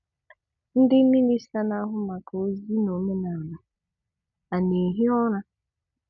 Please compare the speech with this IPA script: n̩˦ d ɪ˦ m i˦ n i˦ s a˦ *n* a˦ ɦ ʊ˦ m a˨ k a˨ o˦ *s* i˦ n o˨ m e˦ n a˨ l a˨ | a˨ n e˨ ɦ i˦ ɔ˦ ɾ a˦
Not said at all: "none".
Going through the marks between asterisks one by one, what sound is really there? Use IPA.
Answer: n, z

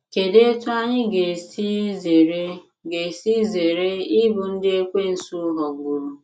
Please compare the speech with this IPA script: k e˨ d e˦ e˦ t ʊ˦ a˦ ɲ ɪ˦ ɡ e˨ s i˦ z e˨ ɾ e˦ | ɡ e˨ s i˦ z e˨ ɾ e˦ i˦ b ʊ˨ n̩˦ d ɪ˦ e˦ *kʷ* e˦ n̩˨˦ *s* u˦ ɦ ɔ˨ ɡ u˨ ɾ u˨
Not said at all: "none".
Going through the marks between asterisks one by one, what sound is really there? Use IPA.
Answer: kʷ, s

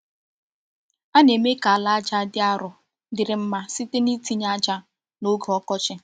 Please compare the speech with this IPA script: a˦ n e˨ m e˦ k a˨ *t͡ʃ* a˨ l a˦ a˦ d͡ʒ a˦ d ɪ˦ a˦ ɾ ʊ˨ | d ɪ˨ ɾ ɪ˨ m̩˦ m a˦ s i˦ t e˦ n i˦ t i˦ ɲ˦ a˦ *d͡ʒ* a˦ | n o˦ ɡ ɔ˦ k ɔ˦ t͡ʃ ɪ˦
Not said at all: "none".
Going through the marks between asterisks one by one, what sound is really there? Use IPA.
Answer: none, d͡ʒ

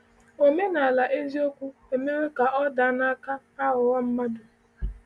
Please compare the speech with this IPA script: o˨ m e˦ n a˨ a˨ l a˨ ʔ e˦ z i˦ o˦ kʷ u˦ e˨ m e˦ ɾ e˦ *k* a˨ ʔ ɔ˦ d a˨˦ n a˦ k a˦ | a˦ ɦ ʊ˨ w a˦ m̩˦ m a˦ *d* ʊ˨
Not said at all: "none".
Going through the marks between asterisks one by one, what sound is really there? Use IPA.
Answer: k, d

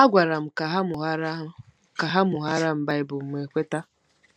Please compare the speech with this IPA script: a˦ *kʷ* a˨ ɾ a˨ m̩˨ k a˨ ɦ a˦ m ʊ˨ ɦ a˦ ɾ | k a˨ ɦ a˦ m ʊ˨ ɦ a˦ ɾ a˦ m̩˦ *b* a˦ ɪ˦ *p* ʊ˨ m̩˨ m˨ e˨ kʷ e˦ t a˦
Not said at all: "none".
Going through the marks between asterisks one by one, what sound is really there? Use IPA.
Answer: ɡʷ, b, b

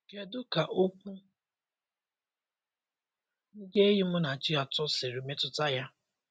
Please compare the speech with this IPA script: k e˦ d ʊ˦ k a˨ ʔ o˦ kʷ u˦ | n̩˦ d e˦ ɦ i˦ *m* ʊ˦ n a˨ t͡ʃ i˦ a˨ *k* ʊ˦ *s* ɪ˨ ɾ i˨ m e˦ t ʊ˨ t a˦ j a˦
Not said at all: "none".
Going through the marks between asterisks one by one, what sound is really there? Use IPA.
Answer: m, t, s

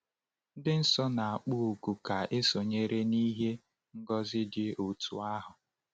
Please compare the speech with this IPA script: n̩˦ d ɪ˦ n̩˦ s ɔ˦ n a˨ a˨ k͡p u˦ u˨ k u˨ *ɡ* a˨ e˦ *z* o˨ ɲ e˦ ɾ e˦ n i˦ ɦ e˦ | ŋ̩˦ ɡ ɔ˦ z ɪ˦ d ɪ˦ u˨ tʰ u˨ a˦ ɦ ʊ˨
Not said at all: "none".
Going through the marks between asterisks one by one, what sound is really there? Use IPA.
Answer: k, s

